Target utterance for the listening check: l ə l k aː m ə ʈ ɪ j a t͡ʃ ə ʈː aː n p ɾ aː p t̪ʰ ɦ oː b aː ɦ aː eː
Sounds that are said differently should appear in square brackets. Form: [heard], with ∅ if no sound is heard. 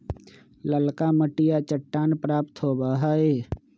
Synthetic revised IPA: l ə l k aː m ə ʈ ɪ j a t͡ʃ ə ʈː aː n p ɾ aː p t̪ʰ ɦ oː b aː ɦ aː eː